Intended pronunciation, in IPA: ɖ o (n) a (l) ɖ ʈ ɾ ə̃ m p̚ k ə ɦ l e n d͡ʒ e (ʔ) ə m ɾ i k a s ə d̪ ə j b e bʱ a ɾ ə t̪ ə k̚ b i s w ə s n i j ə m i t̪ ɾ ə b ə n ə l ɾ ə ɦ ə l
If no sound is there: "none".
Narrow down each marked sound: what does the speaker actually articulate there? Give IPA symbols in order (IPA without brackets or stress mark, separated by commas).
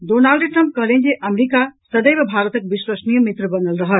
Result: n, l, ʔ